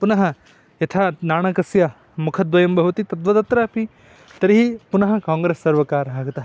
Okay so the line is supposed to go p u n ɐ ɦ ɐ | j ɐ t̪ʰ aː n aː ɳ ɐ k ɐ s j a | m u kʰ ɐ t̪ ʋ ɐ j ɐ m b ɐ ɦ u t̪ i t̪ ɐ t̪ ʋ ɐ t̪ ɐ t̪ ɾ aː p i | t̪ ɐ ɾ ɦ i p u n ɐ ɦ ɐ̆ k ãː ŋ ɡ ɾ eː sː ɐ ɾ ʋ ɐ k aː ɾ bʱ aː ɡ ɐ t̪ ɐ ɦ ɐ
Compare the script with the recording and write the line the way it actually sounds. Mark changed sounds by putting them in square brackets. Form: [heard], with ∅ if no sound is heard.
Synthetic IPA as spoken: p u n ɐ ɦ ɐ | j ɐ t̪ʰ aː n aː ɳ ɐ k ɐ s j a | m u kʰ ɐ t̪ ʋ ɐ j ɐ m b ɐ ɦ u t̪ i t̪ ɐ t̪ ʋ ɐ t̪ ɐ t̪ ɾ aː p i | t̪ ɐ ɾ ɦ i p u n ɐ ɦ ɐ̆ k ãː ŋ ɡ ɾ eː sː ɐ ɾ ʋ ɐ k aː ɾ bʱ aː ɡ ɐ t̪ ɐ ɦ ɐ